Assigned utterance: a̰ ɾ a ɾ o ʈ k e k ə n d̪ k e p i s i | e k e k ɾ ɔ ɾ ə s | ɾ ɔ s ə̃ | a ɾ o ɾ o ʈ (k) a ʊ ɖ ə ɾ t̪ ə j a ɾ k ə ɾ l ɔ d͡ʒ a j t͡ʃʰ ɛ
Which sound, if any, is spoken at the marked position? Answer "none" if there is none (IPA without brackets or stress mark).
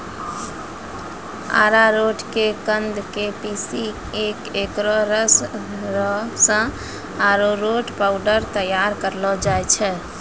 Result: p